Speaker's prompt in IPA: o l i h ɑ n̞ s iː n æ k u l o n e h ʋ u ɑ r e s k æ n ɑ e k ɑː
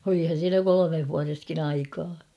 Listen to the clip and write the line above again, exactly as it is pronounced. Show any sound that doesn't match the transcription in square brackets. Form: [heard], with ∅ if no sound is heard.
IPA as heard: o l i h ɑ n̞ s iː n æ k [o] l o [m] e h ʋ u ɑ r e s k [i] n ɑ [i] k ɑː

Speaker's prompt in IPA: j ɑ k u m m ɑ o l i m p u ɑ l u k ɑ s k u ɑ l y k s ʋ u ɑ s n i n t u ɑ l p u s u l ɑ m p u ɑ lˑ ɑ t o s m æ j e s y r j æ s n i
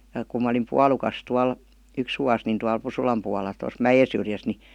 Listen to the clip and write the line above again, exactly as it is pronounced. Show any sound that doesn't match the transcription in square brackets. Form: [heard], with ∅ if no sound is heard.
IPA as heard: j ɑ k u m m ɑ o l i m p u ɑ l u k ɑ s [t] u ɑ l y k s ʋ u ɑ s n i n t u ɑ l p u s u l ɑ m p u ɑ lˑ ɑ t o s m æ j e s y r j æ s n i

